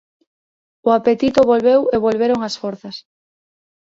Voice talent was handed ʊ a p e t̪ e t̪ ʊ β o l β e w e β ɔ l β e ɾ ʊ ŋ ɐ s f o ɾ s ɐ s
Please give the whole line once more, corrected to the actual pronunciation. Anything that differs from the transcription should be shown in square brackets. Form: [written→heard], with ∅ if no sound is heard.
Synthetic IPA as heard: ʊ a p e t̪ [e→i] t̪ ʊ β o l β e w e β [ɔ→o] l β e ɾ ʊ ŋ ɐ s f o ɾ [s→θ] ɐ s

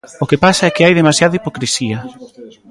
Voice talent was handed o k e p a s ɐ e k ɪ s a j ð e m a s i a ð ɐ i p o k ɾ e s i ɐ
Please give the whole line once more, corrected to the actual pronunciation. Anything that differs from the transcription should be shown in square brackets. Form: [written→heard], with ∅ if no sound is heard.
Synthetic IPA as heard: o k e p a s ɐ [e→ɛ] k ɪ [s→∅] a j ð e m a s [i→j] a ð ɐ i p o k ɾ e s i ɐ

